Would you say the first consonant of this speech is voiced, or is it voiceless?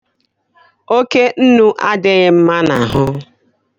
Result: voiceless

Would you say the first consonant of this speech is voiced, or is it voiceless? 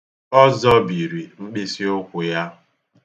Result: voiced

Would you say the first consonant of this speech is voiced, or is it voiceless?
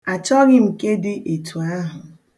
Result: voiceless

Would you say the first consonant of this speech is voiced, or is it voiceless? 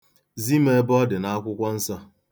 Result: voiced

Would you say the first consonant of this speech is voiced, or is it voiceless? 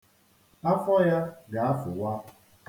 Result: voiceless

